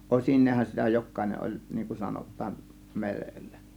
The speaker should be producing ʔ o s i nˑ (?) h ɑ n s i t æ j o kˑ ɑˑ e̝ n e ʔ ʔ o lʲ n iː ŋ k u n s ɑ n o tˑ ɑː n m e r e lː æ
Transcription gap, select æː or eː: eː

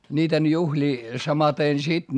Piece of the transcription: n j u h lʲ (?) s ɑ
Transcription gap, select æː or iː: iː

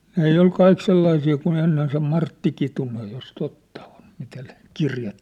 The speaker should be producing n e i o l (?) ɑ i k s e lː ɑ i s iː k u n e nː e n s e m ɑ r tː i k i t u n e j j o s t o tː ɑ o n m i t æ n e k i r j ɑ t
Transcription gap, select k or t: k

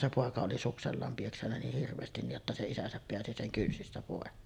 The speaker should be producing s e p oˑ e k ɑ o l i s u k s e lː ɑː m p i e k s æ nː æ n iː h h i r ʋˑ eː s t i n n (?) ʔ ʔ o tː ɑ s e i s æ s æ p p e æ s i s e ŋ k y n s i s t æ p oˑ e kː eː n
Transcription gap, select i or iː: i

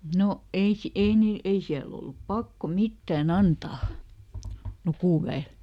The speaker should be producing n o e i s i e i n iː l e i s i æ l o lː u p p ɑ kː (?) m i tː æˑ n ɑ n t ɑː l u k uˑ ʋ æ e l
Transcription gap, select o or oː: o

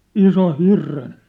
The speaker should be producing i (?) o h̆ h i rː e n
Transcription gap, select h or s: s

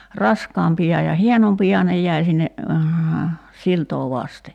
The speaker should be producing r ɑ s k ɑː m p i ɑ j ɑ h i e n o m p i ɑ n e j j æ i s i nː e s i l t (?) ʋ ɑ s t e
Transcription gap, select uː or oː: oː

